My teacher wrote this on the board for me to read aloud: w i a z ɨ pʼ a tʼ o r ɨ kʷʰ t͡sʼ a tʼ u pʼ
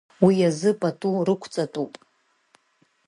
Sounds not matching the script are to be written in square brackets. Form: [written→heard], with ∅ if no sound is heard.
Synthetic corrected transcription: w i a z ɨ pʼ a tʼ [o→u] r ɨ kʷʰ t͡sʼ a tʼ u pʼ